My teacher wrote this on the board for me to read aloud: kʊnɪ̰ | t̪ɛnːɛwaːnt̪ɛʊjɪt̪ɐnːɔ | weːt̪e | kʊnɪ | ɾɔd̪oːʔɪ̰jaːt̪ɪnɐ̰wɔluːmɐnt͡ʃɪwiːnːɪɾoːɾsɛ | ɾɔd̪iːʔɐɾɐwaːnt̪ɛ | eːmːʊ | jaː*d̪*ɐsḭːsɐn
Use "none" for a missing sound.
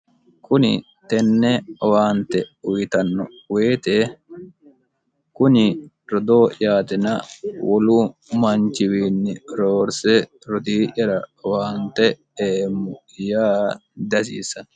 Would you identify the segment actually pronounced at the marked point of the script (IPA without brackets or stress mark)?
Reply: d̪